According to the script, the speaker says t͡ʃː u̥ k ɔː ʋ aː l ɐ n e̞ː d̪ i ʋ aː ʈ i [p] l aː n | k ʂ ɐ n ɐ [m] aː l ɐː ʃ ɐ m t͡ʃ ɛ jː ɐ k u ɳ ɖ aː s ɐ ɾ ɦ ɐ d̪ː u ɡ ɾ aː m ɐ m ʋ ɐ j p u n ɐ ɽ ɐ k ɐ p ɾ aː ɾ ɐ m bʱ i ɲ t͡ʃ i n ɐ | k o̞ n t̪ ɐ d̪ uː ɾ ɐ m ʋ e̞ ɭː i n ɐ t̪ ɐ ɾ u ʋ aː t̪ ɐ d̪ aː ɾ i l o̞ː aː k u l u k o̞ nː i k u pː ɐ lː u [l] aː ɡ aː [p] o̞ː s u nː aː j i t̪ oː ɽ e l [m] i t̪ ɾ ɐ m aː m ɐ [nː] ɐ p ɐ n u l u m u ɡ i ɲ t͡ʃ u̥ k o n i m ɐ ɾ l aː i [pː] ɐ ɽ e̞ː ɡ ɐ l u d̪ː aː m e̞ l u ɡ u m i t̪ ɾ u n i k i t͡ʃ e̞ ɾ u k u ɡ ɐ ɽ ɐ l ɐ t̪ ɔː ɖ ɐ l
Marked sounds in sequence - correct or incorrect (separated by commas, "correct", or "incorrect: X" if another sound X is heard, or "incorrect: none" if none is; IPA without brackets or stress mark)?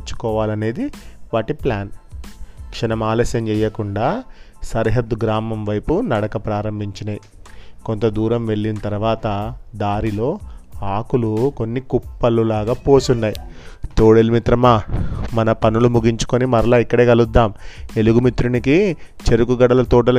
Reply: correct, correct, correct, correct, correct, incorrect: n, incorrect: kː